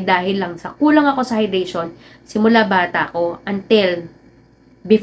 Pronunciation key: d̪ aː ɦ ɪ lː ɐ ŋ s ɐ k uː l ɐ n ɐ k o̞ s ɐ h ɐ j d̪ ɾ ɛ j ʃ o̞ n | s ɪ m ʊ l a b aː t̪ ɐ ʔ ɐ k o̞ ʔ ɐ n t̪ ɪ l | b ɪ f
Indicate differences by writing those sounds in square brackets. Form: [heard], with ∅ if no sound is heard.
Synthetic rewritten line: d̪ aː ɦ ɪ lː ɐ ŋ s ɐ k uː l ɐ [ŋ] ɐ k o̞ s ɐ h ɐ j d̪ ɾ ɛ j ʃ o̞ n | s ɪ m ʊ l a b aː t̪ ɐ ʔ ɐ k o̞ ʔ ɐ n t̪ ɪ l | b ɪ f